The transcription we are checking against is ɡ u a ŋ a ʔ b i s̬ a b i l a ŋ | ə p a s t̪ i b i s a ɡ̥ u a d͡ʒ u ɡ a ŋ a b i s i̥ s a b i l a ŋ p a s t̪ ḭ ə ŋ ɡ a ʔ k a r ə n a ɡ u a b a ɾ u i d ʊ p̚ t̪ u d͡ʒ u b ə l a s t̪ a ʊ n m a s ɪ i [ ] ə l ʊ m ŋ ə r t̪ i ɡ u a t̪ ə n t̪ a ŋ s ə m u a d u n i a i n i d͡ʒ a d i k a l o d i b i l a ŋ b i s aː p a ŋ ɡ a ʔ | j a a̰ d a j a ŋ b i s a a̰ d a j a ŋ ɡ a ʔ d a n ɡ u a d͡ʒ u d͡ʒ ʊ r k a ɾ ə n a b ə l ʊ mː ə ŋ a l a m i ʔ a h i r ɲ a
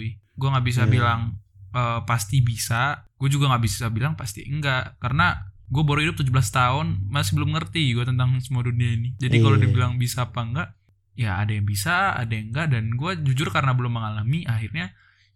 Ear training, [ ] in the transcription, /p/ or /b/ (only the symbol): b